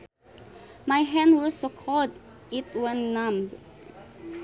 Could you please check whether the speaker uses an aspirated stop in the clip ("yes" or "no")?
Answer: yes